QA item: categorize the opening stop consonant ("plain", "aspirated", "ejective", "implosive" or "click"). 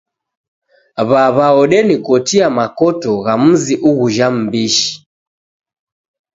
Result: implosive